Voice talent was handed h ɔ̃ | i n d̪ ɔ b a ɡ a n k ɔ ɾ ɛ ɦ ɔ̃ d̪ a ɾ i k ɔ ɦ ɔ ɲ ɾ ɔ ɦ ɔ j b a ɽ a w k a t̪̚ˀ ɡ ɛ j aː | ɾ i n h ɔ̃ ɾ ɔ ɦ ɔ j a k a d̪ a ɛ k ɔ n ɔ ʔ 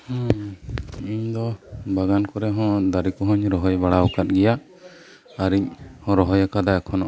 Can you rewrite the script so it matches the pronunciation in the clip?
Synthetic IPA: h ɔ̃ | i ɲ d̪ ɔ b a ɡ a n k ɔ ɾ ɛ ɦ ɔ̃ d̪ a ɾ i k ɔ ɦ ɔ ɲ ɾ ɔ ɦ ɔ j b a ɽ a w k a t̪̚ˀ ɡ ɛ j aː | ɾ i ɲ h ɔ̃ ɾ ɔ ɦ ɔ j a k a d̪ a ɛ kʰ ɔ n ɔ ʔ